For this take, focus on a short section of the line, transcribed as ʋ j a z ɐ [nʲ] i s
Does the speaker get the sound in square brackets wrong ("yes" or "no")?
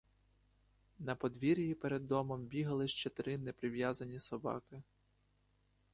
no